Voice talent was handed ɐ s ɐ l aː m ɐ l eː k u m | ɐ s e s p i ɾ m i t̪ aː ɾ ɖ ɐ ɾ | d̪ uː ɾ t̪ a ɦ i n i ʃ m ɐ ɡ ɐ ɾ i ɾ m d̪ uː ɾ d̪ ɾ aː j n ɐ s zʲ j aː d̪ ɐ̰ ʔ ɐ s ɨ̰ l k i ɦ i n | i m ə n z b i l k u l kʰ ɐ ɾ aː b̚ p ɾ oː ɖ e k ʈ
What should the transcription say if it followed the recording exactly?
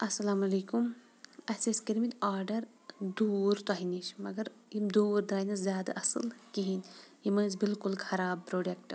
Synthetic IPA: ɐ s ɐ l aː m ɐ l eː k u m | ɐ s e s k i ɾ m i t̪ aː ɾ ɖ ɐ ɾ | d̪ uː ɾ t̪ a ɦ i n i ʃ m ɐ ɡ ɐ ɾ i m d̪ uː ɾ d̪ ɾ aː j n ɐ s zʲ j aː d̪ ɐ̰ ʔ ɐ s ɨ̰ l k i ɦ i n | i m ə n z b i l k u l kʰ ɐ ɾ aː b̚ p ɾ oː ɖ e k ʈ

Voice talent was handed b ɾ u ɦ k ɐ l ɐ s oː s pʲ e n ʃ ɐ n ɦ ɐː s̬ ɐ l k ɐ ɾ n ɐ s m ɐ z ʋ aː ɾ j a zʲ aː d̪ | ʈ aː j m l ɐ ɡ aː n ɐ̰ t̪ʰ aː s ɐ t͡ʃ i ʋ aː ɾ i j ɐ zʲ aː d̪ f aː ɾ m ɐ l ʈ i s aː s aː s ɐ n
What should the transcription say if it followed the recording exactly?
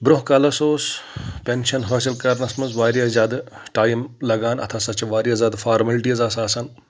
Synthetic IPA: b ɾ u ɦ k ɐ l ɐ s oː s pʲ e n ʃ ɐ n ɦ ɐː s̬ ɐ l k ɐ ɾ n ɐ s m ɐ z ʋ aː ɾ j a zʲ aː d̪ | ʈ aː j m l ɐ ɡ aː n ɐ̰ t̪ʰ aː s ɐ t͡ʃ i ʋ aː ɾ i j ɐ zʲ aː d̪ f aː ɾ m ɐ l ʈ i z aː s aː s ɐ n

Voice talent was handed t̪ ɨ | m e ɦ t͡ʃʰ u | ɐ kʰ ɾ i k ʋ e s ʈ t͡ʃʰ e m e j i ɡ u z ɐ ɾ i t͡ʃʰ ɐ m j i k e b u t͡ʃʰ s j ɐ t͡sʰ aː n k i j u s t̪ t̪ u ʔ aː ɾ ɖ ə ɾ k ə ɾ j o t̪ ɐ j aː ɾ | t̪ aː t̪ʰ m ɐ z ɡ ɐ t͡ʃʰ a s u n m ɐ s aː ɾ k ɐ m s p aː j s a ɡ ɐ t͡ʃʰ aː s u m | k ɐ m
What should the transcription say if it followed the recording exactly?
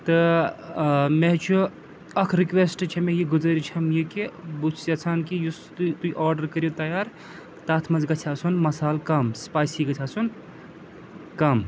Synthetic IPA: t̪ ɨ | m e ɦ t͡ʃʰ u | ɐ kʰ ɾ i k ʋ e s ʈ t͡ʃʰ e m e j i ɡ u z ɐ ɾ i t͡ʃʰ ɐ m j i k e b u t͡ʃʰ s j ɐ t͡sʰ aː n k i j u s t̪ t̪ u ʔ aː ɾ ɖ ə ɾ k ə ɾ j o t̪ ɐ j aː ɾ | t̪ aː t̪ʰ m ɐ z ɡ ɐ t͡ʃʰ a s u n m ɐ s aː l k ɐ m s p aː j s i ɡ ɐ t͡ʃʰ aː s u n | k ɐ m

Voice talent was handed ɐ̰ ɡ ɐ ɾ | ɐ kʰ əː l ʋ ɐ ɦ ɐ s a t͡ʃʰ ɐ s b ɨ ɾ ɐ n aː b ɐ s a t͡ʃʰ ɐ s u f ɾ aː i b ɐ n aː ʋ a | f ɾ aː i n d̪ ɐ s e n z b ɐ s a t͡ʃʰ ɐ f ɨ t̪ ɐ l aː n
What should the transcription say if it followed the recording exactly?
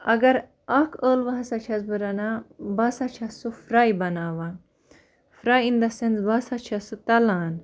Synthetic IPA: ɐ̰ ɡ ɐ ɾ | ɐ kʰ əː l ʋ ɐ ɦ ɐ s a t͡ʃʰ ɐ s b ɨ ɾ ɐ n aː b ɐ s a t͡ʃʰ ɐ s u f ɾ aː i b ɐ n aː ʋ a | f ɾ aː i n d̪ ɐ s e n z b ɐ s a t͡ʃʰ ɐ s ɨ t̪ ɐ l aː n

